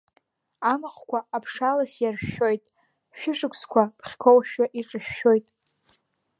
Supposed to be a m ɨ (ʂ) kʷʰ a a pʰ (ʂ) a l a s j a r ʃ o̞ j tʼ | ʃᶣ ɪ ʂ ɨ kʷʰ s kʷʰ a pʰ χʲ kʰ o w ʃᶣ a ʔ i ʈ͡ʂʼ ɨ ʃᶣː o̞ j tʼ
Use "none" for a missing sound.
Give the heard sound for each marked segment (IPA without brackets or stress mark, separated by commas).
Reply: χ, ʂ